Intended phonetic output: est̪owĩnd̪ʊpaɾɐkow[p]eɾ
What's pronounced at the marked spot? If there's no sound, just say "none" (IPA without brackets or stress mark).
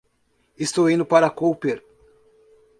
p